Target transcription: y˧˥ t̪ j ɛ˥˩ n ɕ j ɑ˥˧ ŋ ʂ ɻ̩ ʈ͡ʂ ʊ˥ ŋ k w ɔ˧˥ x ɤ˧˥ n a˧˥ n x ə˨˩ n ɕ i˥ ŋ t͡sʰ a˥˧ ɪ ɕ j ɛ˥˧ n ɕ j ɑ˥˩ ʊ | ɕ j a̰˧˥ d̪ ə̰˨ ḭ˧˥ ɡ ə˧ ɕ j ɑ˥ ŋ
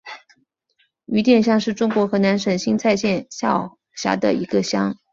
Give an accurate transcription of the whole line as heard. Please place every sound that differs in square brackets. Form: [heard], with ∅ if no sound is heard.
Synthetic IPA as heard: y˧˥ t̪ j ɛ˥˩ n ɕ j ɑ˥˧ ŋ ʂ ɻ̩ ʈ͡ʂ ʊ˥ ŋ k w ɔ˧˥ x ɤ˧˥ n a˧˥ n [ʂ] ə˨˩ n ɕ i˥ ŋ t͡sʰ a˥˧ ɪ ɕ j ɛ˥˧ n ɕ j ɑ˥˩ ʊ | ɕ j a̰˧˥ d̪ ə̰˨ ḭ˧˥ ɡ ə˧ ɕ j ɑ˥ ŋ